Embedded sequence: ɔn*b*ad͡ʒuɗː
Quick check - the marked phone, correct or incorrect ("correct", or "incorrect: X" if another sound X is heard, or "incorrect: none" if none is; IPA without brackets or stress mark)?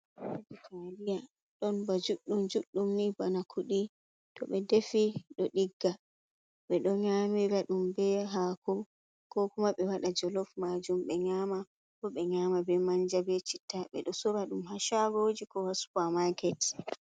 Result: correct